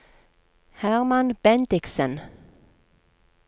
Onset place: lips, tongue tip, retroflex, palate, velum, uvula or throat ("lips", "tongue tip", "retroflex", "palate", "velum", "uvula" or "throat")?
throat